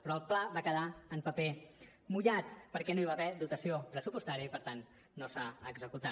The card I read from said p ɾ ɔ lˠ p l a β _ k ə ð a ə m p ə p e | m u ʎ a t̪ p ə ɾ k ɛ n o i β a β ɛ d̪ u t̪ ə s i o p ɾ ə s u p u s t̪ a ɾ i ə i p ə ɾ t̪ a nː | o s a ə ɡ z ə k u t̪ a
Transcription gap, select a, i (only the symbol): a